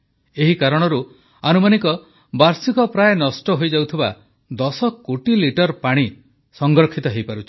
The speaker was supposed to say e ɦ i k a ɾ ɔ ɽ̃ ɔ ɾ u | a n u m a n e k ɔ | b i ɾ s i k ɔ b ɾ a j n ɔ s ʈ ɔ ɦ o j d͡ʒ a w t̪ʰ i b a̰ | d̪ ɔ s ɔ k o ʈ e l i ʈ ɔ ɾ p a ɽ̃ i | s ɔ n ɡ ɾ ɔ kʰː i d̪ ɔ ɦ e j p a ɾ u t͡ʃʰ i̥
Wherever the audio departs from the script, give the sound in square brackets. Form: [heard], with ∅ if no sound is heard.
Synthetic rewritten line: e ɦ i k a ɾ ɔ ɽ̃ ɔ ɾ u | a n u m a n [i] k ɔ | b [a] ɾ s i k ɔ [p] ɾ a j n ɔ s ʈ ɔ ɦ o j d͡ʒ a w t̪ʰ i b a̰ | d̪ ɔ s ɔ k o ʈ [i] l i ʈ ɔ ɾ p a ɽ̃ i | s ɔ [ŋ] ɡ ɾ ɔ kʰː i [t̪] ɔ ɦ e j p a ɾ u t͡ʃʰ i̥